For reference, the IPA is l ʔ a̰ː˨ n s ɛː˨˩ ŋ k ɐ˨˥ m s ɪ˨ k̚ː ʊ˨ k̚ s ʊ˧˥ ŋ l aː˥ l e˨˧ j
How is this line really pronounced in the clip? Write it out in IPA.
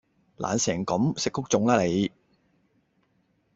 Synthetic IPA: l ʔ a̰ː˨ n s ɛː˨˩ ŋ k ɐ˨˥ m s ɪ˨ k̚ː ʊ˥ k̚ t͡s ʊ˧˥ ŋ l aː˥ l e˨˧ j

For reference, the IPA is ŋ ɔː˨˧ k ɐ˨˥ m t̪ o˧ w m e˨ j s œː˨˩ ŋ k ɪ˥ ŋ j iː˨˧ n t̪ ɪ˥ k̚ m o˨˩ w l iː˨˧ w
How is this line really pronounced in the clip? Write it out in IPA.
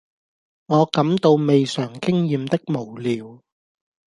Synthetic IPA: ŋ ɔː˨˧ k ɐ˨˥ m t̪ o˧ w m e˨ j s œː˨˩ ŋ k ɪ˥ ŋ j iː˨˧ m t̪ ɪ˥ k̚ m o˨˩ w l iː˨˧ w

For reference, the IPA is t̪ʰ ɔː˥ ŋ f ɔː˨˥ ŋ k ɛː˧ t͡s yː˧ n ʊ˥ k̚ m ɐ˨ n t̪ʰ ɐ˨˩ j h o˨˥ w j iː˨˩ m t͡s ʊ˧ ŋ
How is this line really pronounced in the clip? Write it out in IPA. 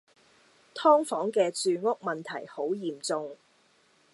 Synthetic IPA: t̪ʰ ɔː˥ ŋ f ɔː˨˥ ŋ k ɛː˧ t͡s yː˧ ŋ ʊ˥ k̚ m ɐ˨ n t̪ʰ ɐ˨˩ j h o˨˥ w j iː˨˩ m t͡s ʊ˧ ŋ

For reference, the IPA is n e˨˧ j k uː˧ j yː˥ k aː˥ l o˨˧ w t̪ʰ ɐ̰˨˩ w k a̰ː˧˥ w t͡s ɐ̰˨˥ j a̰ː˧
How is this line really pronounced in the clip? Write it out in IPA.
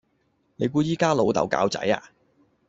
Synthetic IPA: n e˨˧ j k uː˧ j iː˥ k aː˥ l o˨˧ w t̪ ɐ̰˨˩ w k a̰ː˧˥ w t͡s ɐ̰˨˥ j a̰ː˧

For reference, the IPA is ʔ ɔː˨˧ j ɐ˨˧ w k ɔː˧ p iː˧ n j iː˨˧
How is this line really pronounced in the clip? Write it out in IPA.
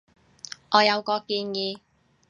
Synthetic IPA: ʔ ɔː˨˧ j ɐ˨˧ w k ɔː˧ k iː˧ n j iː˨˧

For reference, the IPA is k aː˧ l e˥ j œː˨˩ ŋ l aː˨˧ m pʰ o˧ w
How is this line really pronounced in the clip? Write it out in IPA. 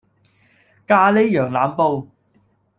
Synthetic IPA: k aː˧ l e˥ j œː˨˩ ŋ l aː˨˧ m p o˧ w

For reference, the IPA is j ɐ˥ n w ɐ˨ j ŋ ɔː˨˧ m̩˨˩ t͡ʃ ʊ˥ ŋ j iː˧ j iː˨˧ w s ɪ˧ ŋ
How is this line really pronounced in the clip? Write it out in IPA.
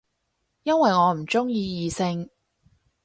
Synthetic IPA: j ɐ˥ n w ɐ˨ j ŋ ɔː˨˧ m̩˨˩ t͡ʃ ʊ˥ ŋ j iː˧ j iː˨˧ s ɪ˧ ŋ

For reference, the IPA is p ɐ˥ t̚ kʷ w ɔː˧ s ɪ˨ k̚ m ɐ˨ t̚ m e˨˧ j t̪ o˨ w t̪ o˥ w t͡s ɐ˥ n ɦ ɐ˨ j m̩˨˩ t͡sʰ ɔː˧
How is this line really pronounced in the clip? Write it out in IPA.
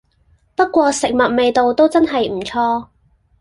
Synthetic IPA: p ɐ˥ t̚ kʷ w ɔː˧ s ɪ˨ k̚ m ɐ˨ t̚ m e˨˧ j t̪ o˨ w t̪ o˥ w t͡s ɐ˥ n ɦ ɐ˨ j m̩˨˩ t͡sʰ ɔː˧

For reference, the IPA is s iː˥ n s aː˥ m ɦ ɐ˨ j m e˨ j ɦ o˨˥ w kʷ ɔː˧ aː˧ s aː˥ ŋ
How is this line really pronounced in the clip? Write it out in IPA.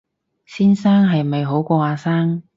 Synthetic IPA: s iː˥ n s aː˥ ŋ ɦ ɐ˨ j m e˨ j ɦ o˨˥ w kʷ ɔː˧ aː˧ s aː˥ ŋ

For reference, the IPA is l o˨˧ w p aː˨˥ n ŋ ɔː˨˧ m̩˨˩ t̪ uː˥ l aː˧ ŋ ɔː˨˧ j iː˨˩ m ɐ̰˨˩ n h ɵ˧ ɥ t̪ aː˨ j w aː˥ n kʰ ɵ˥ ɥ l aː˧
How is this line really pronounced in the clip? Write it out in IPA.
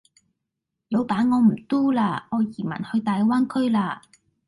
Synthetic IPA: l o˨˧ w p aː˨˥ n ŋ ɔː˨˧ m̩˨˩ t̪ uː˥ l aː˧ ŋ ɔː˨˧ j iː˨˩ m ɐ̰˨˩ n h ɵ˧ ɥ t̪ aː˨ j w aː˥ n kʰ ɵ˥ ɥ l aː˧

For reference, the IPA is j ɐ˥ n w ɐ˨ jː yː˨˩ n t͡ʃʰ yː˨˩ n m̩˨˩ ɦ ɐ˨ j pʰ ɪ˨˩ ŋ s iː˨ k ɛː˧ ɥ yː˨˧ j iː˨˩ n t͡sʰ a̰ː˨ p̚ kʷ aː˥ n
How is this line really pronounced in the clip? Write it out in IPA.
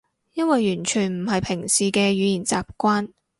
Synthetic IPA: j ɐ˥ n w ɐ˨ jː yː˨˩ n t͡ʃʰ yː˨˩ n m̩˨˩ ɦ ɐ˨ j pʰ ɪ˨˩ ŋ s iː˨ k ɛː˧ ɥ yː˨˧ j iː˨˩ n t͡s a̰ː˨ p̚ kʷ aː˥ n

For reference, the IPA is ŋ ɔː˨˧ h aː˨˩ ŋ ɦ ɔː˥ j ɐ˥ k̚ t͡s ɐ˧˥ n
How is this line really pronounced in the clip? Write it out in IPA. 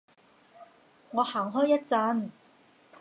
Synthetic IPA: ŋ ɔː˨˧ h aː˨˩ ŋ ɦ ɔː˥ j ɐ˥ t̚ t͡s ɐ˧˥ n

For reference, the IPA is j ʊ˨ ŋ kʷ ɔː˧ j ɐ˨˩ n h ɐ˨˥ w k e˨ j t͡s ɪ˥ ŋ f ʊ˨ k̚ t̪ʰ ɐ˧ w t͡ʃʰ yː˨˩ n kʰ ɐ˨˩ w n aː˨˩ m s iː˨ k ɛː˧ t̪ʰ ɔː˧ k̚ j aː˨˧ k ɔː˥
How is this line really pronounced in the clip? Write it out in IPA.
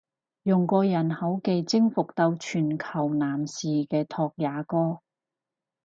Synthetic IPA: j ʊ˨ ŋ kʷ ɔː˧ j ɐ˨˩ n h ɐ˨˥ w k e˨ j t͡s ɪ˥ ŋ f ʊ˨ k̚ t̪ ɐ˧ w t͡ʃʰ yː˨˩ n kʰ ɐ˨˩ w n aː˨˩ m s iː˨ k ɛː˧ t̪ʰ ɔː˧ k̚ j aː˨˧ k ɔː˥

